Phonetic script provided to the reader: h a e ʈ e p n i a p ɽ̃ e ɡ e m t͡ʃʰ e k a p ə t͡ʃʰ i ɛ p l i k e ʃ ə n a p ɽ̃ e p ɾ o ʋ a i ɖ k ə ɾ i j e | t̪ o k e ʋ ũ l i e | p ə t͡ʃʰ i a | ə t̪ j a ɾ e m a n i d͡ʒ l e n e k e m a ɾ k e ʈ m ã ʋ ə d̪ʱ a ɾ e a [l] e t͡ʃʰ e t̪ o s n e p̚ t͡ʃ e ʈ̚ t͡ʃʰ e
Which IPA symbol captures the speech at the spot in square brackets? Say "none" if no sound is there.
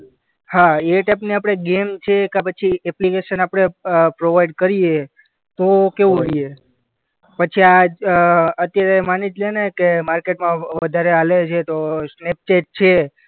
l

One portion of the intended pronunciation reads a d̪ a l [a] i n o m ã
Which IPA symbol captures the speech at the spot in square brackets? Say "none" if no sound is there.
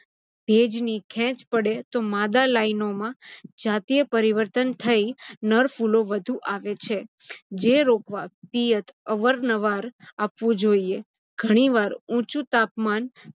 a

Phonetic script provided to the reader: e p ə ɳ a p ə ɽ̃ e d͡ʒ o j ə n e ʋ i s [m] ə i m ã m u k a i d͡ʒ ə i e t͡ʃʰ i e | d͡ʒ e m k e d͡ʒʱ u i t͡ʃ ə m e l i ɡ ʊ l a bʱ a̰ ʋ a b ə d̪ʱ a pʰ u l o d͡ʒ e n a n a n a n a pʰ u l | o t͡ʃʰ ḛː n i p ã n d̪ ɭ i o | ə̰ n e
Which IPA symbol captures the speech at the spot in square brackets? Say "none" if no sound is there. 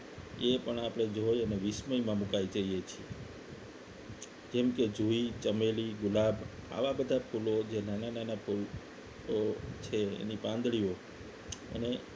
m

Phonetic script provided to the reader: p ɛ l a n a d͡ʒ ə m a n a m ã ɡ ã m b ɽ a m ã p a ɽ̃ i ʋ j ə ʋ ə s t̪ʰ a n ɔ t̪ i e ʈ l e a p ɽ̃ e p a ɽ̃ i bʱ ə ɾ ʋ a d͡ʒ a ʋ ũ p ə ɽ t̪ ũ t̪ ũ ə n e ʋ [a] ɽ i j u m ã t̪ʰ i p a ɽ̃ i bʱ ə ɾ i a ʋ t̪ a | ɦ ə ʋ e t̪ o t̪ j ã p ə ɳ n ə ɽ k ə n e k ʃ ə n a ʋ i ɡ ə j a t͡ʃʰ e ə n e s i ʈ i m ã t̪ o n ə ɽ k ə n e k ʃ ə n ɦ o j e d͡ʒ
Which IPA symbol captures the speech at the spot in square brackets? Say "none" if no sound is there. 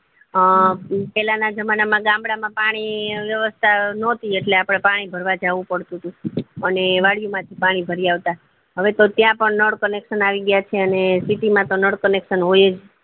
a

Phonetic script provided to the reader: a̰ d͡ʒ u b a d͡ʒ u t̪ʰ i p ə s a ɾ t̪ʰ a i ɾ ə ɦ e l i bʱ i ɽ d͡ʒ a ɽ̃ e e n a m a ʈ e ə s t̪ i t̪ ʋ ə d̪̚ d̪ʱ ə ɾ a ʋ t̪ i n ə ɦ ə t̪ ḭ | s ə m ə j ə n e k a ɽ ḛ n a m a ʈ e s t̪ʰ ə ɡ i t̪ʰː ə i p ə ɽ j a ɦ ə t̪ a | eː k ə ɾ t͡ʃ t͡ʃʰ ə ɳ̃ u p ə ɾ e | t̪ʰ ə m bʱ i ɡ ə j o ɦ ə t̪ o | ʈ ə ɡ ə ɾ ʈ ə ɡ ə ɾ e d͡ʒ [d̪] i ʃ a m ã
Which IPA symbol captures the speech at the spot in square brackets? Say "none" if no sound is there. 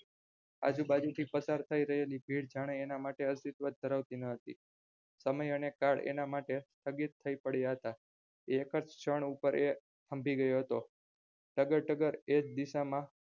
d̪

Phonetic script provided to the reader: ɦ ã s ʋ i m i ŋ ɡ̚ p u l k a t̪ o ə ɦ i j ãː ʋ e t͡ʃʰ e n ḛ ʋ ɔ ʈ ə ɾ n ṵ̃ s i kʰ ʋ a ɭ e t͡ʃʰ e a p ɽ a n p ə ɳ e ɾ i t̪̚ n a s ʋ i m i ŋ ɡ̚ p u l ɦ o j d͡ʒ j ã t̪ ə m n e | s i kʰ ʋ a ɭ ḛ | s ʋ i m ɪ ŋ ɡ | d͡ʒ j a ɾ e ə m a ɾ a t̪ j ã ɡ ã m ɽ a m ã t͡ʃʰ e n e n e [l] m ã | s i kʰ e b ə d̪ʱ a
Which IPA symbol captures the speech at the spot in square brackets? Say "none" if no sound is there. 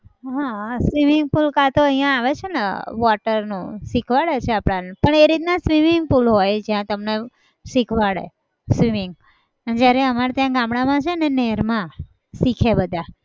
ɾ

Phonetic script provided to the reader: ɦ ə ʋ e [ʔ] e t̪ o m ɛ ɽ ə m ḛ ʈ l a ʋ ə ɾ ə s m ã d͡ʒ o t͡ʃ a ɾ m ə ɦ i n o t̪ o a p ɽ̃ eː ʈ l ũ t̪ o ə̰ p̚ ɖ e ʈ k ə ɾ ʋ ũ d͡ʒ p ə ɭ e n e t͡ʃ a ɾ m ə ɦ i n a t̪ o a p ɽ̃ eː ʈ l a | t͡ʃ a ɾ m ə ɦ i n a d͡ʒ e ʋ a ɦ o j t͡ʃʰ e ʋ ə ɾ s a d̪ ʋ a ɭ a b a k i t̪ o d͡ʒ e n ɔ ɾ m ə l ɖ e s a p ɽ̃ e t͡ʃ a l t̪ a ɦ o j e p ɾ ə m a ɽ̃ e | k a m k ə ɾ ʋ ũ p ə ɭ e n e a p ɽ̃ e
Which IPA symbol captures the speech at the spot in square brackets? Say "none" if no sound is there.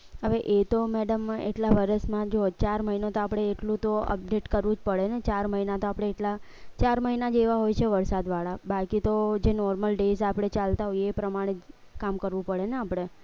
ʔ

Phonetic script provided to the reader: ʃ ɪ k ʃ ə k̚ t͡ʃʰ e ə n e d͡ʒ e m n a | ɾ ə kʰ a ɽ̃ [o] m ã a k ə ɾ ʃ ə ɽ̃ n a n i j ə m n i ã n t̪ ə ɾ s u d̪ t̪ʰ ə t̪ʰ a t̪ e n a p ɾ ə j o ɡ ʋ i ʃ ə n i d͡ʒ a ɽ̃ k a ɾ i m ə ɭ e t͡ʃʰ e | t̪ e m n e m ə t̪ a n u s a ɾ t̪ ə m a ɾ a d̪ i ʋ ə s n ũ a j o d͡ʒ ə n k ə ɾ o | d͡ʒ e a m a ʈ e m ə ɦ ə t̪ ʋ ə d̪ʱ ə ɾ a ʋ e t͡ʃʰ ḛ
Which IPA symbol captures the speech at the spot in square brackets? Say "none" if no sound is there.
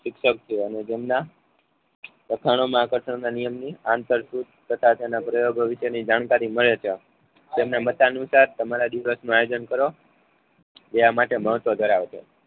o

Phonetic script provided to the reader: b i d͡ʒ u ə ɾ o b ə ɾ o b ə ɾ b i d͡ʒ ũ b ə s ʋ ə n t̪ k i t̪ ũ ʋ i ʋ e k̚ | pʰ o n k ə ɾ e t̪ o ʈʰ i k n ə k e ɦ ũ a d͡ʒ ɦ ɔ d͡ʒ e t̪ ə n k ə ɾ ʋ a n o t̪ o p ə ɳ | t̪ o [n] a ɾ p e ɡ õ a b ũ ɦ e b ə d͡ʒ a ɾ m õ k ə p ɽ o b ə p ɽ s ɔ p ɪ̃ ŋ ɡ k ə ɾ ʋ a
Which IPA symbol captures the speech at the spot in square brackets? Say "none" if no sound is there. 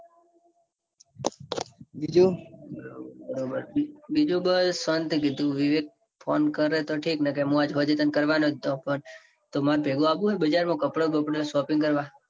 m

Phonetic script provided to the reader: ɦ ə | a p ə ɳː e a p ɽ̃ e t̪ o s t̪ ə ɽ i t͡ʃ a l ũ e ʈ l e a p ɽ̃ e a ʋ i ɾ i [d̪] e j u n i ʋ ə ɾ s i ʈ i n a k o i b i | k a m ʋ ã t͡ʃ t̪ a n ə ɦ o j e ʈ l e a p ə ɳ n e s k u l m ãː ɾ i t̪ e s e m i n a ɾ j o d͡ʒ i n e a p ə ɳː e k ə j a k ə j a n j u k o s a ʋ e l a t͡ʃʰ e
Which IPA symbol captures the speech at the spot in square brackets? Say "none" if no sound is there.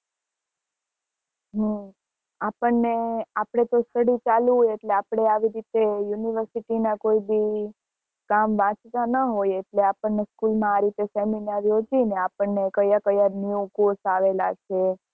t̪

